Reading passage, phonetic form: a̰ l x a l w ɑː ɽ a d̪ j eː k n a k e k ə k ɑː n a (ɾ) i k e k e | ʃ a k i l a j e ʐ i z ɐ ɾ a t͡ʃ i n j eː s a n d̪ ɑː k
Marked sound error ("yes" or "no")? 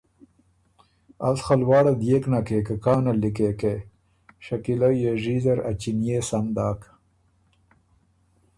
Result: yes